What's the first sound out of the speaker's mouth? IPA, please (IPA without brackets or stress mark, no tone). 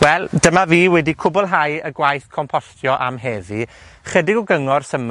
w